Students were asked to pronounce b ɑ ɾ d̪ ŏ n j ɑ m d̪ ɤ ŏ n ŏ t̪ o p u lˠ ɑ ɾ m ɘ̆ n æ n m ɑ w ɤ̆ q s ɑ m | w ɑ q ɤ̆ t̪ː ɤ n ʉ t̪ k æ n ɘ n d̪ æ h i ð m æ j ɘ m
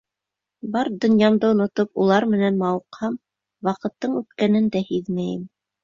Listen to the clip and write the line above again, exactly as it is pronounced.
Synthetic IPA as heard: b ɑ ɾ d̪ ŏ n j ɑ m d̪ ɤ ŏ n ŏ t̪ o p u lˠ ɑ ɾ m ɘ̆ n æ n m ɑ w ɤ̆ q h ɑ m | w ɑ q ɤ̆ t̪ː ɤ ɴ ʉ t̪ k æ n ɘ n d̪ æ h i ð m æ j ɘ m